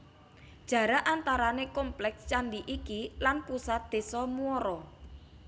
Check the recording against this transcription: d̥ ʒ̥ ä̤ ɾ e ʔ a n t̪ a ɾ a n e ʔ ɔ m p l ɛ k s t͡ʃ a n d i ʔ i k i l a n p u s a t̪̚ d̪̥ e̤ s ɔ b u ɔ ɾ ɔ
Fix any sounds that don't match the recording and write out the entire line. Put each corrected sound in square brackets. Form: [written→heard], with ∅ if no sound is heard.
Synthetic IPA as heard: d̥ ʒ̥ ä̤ ɾ [e→a] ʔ a n t̪ a ɾ a n e [ʔ→k] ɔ m p l ɛ k s t͡ʃ a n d i ʔ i k i l a n p u s a t̪̚ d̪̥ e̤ s ɔ [b→m] u ɔ ɾ ɔ